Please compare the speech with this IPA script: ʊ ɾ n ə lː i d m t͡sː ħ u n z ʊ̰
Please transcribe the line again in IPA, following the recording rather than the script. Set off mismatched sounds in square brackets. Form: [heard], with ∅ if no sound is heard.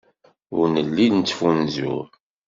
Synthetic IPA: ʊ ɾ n ə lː i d [n] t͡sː [f] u n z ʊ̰